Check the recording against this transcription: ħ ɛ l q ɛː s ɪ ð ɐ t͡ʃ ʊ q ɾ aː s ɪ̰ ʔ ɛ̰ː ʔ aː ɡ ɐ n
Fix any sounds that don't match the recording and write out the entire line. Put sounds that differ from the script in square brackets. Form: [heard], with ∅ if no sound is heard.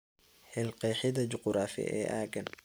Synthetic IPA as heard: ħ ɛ l q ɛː [ħ] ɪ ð ɐ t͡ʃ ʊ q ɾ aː [f] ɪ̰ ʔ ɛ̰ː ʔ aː ɡ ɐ n